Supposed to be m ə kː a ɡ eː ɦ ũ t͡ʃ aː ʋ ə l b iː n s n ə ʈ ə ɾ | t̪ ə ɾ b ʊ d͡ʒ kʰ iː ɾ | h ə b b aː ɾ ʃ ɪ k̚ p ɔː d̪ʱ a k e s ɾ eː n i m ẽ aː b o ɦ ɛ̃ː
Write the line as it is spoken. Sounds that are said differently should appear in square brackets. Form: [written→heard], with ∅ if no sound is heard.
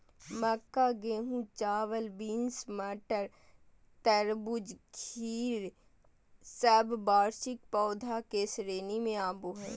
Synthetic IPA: m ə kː a ɡ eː ɦ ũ t͡ʃ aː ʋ ə l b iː n s [n→m] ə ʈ ə ɾ | t̪ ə ɾ b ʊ d͡ʒ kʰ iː ɾ | [h→s] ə b b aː ɾ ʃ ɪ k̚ p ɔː d̪ʱ a k e s ɾ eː n i m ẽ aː b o ɦ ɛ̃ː